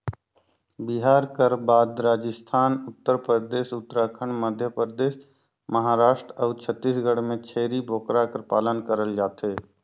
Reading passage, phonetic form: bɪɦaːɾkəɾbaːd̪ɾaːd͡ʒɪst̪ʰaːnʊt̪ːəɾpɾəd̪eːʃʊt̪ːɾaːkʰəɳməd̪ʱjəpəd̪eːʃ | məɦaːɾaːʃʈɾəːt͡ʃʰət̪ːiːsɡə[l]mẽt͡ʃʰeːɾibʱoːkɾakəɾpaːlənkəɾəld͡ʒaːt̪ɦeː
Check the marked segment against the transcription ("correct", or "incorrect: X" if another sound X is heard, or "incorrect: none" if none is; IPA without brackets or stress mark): incorrect: ɽ